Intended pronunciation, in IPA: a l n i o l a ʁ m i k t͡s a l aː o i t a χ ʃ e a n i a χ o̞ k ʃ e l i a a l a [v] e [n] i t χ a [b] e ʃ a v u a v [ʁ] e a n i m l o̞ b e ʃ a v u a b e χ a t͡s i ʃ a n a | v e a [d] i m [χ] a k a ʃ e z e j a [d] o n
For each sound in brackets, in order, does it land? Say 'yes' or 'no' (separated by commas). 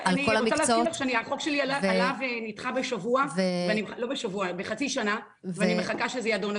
yes, yes, yes, no, no, yes, yes